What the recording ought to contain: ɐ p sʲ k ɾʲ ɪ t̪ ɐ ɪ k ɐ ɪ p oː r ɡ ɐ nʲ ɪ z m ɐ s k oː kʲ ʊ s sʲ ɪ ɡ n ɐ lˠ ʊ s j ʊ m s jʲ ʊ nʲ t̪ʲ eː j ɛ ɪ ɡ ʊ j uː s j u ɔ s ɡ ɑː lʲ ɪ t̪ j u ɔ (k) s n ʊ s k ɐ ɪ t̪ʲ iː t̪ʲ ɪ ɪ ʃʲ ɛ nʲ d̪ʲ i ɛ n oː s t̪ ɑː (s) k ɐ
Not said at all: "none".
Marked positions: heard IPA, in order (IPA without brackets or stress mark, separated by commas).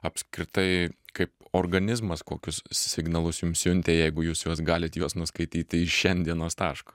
none, ʃ